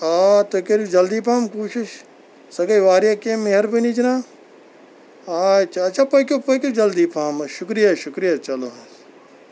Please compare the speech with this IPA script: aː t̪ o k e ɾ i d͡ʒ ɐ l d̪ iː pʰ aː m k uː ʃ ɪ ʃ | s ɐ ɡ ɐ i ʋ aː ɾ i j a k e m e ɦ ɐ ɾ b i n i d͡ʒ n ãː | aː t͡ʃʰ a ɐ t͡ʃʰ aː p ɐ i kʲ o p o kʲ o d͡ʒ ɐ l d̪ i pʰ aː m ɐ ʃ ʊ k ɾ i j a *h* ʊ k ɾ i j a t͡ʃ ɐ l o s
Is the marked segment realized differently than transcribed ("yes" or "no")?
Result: yes